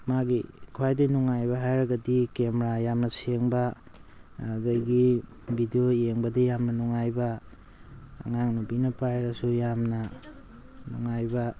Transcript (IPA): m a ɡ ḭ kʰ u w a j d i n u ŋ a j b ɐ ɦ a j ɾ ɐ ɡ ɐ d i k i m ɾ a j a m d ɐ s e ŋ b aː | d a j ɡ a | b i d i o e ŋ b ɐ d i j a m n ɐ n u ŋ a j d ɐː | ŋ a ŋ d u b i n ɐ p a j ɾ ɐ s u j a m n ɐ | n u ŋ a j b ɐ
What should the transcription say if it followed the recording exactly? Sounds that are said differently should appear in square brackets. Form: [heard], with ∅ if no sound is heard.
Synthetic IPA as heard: m a ɡ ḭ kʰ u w a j d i n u ŋ a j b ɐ ɦ a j ɾ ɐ ɡ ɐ d i k [e] m ɾ a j a m [n] ɐ s e ŋ b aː | d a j ɡ [i] | b i d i o e ŋ b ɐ d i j a m n ɐ n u ŋ a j [b] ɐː | ŋ a ŋ [n] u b i n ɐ p a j ɾ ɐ s u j a m n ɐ | n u ŋ a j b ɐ